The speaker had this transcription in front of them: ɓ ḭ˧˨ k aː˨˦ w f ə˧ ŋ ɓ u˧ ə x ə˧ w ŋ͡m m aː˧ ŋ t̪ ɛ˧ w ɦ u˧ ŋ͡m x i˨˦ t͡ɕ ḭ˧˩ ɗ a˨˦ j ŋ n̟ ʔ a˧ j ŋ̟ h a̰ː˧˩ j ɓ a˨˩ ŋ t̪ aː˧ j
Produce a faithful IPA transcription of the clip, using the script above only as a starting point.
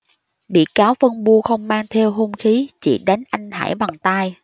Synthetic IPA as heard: ɓ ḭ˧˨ k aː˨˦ w f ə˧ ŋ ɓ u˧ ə x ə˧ w ŋ͡m m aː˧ ŋ t̪ʰ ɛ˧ w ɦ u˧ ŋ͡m x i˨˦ t͡ɕ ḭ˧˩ ɗ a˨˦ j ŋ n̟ ʔ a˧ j ŋ̟ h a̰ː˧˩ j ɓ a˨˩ ŋ t̪ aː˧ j